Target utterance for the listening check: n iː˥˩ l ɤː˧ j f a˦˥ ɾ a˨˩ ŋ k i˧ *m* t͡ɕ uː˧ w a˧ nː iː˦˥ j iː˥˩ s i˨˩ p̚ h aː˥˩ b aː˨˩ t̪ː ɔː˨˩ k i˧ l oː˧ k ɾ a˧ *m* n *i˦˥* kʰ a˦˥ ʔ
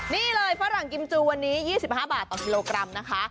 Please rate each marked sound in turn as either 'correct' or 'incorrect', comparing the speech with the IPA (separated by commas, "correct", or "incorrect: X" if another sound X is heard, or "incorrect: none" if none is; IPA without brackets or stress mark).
correct, correct, incorrect: a˦˥